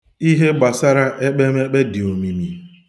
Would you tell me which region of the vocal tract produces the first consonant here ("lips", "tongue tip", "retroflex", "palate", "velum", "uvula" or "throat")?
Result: throat